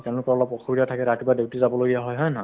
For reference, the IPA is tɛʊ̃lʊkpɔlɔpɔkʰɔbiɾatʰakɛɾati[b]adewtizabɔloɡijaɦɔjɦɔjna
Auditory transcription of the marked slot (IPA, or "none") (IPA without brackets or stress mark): b